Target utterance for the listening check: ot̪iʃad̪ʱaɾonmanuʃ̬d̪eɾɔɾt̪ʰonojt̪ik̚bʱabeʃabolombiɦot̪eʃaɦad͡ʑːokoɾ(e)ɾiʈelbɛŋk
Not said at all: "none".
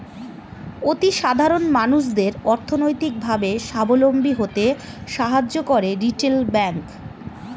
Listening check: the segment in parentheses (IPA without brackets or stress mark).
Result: e